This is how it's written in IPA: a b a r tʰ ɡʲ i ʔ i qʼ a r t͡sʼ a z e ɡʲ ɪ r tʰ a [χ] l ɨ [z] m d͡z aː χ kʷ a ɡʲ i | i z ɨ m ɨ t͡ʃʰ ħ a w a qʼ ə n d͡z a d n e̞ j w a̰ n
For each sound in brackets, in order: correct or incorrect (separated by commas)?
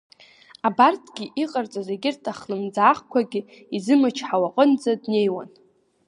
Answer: correct, incorrect